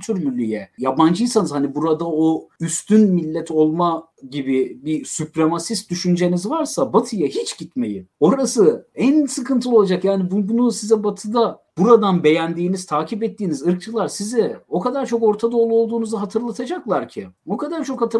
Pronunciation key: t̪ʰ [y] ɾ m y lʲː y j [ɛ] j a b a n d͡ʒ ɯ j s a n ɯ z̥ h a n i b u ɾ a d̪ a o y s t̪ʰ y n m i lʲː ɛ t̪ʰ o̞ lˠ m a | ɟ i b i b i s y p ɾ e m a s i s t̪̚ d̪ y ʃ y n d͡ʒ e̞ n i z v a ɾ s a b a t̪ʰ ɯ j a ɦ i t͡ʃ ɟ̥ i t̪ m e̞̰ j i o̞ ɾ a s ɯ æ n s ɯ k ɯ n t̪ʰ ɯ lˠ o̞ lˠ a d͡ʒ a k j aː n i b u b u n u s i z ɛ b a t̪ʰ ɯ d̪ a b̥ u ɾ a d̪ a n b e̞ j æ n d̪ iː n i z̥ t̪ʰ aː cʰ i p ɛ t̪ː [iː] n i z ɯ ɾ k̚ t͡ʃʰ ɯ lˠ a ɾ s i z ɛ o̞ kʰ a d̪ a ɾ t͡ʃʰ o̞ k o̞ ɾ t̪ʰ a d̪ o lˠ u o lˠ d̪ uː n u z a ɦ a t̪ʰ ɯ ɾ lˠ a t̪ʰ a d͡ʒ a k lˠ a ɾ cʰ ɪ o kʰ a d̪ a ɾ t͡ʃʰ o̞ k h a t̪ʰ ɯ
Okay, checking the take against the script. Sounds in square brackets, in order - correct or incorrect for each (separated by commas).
correct, correct, correct